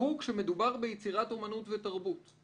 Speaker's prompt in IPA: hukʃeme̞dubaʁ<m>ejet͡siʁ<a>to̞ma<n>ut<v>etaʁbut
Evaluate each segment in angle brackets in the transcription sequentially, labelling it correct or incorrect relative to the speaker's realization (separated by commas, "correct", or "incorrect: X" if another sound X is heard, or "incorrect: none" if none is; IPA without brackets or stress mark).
incorrect: b, correct, correct, correct